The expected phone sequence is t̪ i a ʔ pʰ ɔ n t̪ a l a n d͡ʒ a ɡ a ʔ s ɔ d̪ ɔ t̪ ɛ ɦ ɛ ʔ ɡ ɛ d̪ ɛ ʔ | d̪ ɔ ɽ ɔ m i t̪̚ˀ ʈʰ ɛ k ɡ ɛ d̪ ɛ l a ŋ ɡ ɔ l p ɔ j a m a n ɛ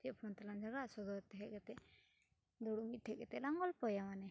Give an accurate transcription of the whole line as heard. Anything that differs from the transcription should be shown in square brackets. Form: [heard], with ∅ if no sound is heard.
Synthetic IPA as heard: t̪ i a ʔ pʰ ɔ n t̪ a l a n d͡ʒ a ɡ a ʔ s ɔ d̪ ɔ t̪ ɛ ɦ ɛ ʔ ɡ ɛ [t̪] ɛ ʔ | d̪ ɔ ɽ [u] m i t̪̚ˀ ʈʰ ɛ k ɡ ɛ [t̪] ɛ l a ŋ ɡ ɔ l p ɔ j a m a n ɛ